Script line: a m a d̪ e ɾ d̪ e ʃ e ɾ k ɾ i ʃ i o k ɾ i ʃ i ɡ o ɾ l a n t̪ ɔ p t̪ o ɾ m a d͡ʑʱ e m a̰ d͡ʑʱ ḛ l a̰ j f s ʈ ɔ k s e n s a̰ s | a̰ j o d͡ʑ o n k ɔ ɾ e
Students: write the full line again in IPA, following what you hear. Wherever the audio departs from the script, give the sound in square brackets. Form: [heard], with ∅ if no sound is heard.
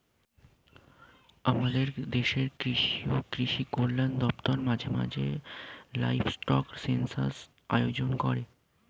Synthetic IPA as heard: a m a d̪ e ɾ d̪ e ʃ e ɾ k ɾ i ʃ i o k ɾ i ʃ i [k] o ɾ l a n [d̪] ɔ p t̪ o ɾ m a d͡ʑʱ e m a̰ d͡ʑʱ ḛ l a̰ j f s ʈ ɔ k s e n s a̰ s | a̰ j o d͡ʑ o n k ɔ ɾ e